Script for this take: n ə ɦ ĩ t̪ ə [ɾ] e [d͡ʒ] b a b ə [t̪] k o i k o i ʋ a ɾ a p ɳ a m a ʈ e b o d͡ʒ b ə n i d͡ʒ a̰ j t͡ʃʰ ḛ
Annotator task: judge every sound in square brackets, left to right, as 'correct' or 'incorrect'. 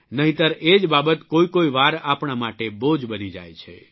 correct, correct, correct

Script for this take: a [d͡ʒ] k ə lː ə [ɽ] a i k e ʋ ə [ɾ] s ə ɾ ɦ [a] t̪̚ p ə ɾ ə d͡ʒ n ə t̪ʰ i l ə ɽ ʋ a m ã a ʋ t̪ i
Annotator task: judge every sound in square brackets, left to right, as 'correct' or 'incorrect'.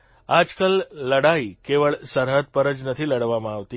correct, correct, incorrect: ɭ, incorrect: ə

